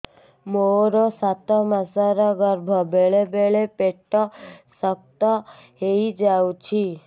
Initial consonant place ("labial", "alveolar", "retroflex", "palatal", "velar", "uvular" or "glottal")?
labial